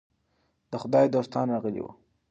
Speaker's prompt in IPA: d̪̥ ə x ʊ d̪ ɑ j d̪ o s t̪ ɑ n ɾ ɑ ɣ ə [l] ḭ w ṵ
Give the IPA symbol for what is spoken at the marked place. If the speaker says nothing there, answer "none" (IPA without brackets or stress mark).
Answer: l